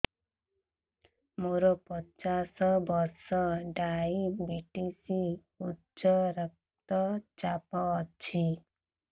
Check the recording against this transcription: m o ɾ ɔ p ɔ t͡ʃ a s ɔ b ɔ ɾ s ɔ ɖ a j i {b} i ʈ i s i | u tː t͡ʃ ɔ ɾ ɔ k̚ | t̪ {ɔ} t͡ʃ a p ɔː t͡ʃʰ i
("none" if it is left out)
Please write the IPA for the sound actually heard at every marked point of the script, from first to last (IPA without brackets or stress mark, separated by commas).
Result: b, ɔ